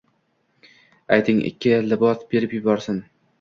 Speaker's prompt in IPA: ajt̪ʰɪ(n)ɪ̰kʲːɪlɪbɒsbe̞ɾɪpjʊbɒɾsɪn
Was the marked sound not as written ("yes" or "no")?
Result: yes